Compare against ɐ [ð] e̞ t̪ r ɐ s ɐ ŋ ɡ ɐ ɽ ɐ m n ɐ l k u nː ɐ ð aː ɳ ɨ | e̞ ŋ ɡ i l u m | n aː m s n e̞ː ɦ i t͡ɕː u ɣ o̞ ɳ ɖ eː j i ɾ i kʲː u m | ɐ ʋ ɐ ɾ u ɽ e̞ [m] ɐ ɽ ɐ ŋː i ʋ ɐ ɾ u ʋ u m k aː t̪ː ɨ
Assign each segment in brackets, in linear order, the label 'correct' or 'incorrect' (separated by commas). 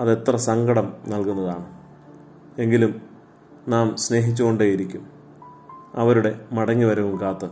correct, correct